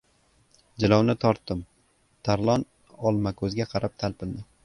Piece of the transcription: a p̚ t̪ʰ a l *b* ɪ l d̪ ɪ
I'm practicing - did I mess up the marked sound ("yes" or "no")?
yes